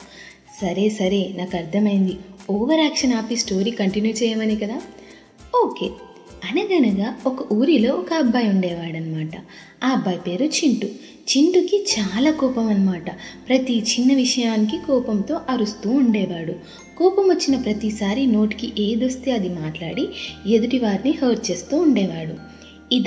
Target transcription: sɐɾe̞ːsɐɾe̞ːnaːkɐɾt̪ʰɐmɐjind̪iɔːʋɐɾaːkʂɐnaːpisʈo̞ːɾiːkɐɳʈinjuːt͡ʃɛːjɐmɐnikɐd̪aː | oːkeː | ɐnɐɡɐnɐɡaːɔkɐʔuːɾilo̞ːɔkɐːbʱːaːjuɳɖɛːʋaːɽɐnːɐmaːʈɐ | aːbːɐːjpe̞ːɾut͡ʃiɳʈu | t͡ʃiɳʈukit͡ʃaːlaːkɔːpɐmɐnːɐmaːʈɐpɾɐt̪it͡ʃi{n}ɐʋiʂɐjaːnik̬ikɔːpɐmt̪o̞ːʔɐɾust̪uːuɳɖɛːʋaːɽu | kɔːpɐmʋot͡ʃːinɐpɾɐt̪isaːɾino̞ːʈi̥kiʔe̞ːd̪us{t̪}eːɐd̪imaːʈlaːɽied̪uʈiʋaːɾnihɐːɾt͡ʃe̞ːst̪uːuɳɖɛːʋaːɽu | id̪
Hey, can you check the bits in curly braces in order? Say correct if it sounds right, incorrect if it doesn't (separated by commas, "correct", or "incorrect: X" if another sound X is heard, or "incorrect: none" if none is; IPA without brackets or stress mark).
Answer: incorrect: nː, correct